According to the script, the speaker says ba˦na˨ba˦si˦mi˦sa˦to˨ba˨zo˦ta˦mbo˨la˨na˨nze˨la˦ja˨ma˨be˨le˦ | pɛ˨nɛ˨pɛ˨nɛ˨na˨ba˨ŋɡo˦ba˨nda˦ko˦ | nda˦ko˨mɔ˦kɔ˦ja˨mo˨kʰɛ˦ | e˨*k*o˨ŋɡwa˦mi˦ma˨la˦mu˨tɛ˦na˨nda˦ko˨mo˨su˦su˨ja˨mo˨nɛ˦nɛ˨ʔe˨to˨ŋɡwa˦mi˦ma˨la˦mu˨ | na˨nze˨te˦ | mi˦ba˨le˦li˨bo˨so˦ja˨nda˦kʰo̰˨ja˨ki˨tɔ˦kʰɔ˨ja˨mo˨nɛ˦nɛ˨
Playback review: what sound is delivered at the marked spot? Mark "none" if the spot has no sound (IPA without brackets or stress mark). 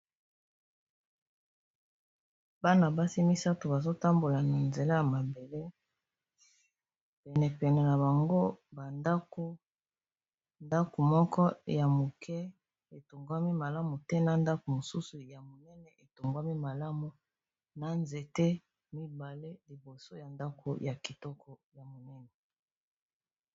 t